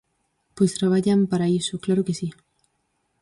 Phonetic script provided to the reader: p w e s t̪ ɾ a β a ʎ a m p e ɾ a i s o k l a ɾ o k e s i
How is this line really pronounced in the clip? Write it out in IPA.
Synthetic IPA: p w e s t̪ ɾ a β a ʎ a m p a ɾ a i s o k l a ɾ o k e s i

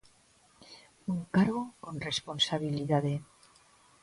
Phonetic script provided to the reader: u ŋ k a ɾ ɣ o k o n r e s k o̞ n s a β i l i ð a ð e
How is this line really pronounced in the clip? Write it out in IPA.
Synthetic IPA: u ŋ k a ɾ ɣ o k o n r e s p o̞ n s a β i l i ð a ð e

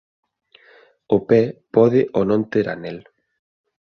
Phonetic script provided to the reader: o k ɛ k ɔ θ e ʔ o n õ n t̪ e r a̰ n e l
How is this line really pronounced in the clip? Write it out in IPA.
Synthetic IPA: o p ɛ p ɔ ð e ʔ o n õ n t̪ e ɾ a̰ n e l

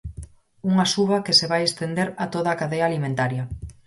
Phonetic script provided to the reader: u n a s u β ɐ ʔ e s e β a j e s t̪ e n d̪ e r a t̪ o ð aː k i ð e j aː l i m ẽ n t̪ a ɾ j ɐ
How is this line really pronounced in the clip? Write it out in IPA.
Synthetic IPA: u ŋ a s u β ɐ k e s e β a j e s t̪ e n d̪ e ɾ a t̪ o ð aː k a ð e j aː l i m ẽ n t̪ a ɾ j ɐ

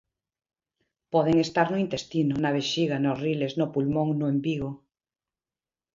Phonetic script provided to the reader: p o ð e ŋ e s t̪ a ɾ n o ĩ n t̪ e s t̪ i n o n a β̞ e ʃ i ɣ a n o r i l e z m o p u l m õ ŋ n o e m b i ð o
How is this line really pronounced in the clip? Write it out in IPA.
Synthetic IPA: p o ð e ŋ e s t̪ a ɾ n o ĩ n t̪ e s t̪ i n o n a β̞ e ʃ i ɣ a n o r i l e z n o p u l m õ ŋ n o e m b i ɣ o

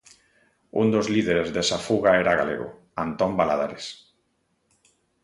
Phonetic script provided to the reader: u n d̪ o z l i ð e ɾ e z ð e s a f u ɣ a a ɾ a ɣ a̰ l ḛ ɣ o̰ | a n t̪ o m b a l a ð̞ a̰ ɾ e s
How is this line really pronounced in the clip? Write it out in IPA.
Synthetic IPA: u n d̪ o z l i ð e ɾ e z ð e s a f u ɣ a e ɾ a ɣ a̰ l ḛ ɣ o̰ | a n t̪ o m b a l a ð̞ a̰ ɾ e s

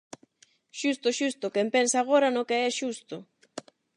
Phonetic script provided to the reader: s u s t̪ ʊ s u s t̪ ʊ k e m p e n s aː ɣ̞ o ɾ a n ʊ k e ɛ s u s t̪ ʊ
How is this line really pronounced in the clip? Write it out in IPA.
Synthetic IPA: ʃ u s t̪ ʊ ʃ u s t̪ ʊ k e m p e n s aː ɣ̞ o ɾ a n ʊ k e ɛ ʃ u s t̪ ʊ

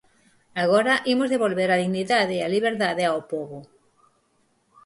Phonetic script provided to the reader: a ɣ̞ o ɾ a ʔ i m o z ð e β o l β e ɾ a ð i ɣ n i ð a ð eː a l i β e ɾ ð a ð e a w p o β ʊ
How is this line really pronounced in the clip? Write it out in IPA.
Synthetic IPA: a ɣ̞ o ɾ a ʔ i m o z ð e β o l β e ɾ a ð i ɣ n i ð a ð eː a l i β e ɾ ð a ð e a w p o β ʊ

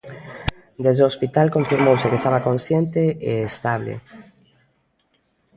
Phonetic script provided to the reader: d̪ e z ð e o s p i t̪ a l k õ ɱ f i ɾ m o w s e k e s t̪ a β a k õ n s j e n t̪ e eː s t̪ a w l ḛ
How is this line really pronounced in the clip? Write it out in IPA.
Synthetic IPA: d̪ e z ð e o s p i t̪ a l k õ ɱ f i ɾ m o w s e k e s t̪ a β a k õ n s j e n t̪ e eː s t̪ a β l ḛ

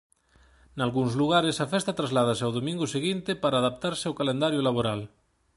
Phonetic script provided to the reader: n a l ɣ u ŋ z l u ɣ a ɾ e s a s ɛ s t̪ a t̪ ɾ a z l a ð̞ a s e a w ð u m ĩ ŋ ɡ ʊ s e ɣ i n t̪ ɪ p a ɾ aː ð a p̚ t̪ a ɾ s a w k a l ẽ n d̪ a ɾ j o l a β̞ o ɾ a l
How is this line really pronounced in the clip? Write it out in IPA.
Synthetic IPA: n a l ɣ u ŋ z l u ɣ a ɾ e s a f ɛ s t̪ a t̪ ɾ a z l a ð̞ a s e a w ð o m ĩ ŋ ɡ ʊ s e ɣ i n t̪ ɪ p a ɾ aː ð a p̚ t̪ a ɾ s a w k a l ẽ n d̪ a ɾ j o l a β̞ o ɾ a l

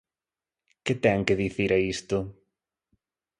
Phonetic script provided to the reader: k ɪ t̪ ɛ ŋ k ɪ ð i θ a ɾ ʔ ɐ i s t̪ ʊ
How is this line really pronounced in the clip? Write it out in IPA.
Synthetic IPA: k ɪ t̪ ɛ ŋ k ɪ ð i θ i ɾ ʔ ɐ i s t̪ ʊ

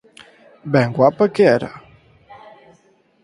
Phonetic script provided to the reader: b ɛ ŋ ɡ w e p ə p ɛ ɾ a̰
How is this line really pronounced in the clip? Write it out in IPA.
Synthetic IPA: b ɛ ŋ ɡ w a p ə k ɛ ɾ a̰

